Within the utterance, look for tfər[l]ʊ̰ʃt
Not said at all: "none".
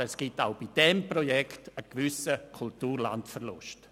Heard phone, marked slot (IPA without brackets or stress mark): l